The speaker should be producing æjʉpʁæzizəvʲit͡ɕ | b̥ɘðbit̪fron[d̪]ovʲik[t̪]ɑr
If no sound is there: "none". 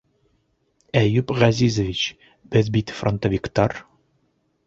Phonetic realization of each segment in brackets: t̪, t̪

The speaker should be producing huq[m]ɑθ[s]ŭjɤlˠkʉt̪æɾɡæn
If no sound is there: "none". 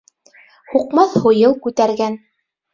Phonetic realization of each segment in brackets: m, h

